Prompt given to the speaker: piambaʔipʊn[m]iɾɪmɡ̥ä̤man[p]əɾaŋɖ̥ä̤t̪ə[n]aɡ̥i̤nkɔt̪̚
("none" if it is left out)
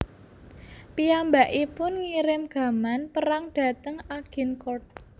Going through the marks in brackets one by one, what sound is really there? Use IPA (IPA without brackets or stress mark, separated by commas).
ŋ, p, ŋ